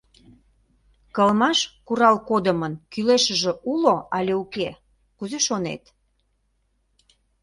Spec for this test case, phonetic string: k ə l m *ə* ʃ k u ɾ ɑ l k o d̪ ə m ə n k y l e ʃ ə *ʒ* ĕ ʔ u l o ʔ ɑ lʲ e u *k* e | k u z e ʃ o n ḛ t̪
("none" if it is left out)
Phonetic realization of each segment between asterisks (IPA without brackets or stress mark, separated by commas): ɑ, ʒ, k